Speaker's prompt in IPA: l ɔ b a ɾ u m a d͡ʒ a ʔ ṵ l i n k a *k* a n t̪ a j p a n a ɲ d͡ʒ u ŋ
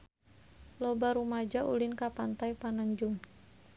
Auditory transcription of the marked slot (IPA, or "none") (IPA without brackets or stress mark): p